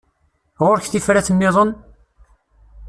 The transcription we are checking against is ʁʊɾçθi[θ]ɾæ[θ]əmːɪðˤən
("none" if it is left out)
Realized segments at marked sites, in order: f, θ

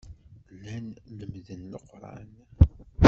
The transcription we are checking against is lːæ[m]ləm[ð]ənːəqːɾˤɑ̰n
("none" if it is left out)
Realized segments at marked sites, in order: n, ð

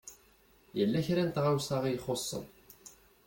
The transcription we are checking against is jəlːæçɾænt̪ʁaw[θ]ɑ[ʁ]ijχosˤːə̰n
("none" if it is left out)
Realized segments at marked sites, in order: s, ʁ

